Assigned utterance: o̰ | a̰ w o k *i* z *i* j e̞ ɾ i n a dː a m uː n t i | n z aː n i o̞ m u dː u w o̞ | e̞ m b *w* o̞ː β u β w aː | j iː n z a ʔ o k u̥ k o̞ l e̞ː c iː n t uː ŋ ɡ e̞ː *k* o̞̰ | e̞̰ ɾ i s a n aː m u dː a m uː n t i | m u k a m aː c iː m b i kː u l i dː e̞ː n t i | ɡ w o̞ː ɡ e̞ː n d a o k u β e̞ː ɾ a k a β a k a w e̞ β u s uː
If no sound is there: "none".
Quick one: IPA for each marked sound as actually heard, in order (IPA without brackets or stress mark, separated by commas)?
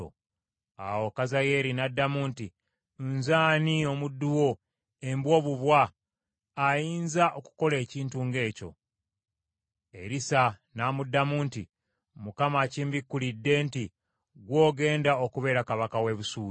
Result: a, a, w, c